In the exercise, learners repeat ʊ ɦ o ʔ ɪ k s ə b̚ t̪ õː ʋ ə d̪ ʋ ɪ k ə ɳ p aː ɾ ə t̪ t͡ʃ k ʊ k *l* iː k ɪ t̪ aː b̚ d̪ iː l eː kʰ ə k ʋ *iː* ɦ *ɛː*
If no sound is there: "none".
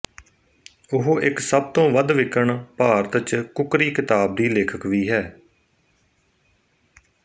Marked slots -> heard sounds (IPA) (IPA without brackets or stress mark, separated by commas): ɾ, iː, ɛː